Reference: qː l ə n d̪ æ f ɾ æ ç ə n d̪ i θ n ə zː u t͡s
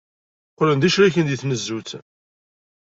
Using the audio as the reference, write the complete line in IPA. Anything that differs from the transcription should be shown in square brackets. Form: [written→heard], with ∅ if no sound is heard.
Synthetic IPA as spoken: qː l ə n d̪ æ [f→ʃ] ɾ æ ç ə n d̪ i θ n ə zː u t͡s